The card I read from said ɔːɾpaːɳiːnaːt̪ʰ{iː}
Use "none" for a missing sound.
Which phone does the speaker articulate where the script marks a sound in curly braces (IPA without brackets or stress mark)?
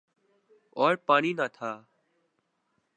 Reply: aː